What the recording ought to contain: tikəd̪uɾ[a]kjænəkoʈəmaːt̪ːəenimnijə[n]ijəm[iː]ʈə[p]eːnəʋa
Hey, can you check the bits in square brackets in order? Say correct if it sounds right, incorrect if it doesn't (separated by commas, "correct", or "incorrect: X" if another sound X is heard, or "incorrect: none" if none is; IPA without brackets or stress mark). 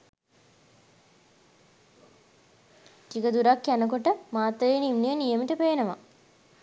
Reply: correct, correct, incorrect: i, correct